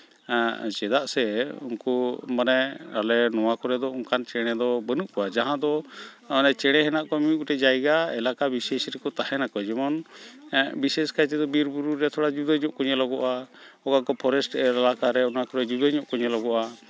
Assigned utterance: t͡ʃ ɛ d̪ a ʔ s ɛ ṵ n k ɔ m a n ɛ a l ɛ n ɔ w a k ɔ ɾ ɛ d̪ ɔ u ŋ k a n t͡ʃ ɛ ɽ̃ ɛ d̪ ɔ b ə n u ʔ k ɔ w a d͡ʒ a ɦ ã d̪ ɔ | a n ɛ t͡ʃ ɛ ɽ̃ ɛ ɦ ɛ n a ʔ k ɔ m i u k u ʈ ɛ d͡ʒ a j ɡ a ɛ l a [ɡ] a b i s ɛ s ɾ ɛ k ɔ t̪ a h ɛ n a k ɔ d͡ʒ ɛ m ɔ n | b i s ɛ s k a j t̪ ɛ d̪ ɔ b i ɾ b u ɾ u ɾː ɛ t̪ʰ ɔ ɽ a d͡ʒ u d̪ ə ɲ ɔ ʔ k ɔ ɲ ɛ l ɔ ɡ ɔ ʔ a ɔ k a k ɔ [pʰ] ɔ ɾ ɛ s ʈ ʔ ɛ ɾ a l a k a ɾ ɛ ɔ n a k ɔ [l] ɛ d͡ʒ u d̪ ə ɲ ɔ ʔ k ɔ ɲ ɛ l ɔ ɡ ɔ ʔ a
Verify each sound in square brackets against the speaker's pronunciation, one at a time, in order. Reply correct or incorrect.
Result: incorrect, correct, incorrect

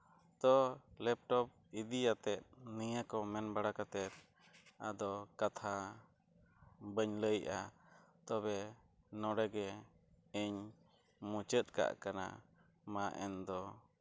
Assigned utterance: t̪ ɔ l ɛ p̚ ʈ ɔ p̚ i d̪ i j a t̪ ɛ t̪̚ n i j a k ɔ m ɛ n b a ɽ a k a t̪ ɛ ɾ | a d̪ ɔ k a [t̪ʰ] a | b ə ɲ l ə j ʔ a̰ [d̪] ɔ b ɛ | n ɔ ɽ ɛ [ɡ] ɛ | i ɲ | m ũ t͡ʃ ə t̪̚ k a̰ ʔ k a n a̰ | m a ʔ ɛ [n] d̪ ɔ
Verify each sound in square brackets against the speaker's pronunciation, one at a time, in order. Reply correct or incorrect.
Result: correct, incorrect, correct, correct

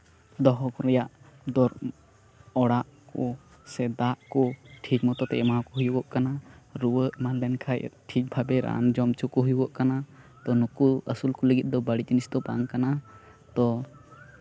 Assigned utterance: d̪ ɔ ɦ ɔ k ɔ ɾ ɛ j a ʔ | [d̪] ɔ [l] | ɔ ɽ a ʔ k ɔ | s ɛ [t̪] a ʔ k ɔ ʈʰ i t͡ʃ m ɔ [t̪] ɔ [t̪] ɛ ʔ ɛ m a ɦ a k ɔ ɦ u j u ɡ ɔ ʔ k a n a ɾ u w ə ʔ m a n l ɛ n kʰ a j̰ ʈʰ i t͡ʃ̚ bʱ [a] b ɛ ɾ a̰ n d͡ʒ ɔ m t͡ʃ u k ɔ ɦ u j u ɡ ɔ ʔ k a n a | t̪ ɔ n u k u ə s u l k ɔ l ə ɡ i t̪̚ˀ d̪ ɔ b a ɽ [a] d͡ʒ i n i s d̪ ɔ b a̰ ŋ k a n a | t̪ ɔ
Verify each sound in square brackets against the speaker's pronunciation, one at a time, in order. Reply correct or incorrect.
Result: correct, incorrect, incorrect, correct, correct, correct, incorrect

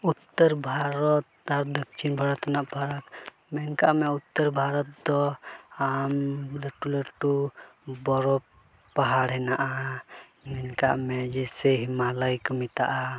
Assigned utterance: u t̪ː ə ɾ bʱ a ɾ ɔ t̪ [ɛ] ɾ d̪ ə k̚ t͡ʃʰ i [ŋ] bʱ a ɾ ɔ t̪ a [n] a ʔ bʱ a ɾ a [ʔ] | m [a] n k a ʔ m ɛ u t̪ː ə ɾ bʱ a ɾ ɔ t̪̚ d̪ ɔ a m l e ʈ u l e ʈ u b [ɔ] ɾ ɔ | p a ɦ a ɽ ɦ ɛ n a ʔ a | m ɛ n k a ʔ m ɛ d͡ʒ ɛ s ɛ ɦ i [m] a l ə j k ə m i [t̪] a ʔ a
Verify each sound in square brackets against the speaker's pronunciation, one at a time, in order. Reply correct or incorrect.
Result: incorrect, incorrect, correct, incorrect, incorrect, correct, correct, correct

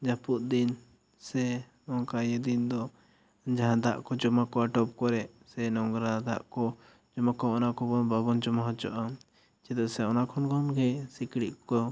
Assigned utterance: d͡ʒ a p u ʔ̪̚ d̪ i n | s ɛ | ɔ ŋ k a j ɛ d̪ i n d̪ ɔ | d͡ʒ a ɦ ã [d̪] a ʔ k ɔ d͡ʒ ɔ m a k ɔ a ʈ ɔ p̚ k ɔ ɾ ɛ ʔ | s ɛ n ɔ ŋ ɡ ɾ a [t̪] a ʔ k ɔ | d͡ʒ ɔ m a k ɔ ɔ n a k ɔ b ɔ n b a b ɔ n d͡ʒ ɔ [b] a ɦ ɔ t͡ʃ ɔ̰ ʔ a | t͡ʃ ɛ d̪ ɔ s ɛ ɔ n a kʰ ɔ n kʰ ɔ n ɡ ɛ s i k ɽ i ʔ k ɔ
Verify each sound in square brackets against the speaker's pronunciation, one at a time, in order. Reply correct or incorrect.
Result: correct, incorrect, incorrect

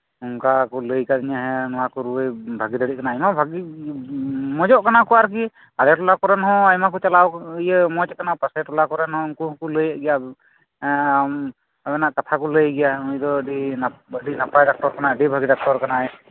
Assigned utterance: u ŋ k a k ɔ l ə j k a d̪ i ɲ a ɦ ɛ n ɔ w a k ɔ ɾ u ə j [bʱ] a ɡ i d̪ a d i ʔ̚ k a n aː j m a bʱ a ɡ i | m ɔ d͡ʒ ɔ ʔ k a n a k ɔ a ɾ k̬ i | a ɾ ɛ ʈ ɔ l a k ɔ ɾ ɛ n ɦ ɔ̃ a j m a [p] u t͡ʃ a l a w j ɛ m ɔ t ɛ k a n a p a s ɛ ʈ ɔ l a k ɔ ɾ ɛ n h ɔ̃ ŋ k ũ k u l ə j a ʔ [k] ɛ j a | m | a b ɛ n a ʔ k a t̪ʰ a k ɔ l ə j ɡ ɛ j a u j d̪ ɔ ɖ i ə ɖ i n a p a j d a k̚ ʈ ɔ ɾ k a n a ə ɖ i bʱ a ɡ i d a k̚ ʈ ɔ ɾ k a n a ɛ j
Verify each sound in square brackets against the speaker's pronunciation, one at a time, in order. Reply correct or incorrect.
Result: correct, incorrect, incorrect

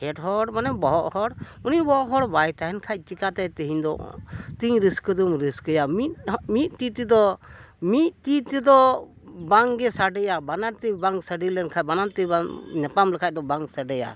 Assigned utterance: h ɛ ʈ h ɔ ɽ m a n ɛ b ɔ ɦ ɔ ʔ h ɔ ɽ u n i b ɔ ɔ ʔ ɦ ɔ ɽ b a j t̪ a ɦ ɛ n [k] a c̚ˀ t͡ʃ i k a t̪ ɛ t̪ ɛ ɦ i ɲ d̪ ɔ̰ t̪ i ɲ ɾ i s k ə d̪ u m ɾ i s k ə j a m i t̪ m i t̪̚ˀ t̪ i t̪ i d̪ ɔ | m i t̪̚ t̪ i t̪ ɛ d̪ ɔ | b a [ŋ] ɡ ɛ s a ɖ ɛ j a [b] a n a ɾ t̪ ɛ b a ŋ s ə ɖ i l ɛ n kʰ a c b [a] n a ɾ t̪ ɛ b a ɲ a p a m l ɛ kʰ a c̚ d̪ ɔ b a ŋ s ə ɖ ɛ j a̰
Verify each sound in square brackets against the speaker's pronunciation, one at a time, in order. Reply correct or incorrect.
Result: incorrect, correct, correct, correct

